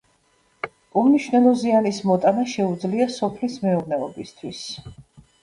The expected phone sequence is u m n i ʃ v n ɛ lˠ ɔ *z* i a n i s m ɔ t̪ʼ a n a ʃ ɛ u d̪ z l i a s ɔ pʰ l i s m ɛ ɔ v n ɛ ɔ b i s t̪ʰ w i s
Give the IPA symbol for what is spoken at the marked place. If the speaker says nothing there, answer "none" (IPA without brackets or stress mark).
z